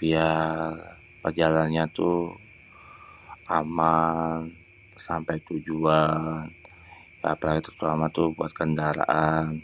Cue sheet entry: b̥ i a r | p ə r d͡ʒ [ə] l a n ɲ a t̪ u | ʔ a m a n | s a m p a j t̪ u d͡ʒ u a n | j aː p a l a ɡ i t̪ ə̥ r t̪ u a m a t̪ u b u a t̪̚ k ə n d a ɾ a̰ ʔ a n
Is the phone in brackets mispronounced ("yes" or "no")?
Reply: yes